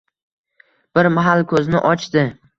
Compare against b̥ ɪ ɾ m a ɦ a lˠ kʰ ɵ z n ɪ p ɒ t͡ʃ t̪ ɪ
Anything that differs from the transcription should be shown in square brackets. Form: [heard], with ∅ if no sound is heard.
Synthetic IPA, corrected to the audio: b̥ ɪ ɾ m a ɦ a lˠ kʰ ɵ z n ɪ [ʔ] ɒ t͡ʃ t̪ ɪ